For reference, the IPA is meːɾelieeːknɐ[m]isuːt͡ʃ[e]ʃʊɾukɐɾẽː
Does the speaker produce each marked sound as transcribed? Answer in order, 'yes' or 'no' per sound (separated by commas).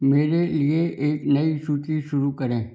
no, no